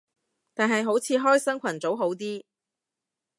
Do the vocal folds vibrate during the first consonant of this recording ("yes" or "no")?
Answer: no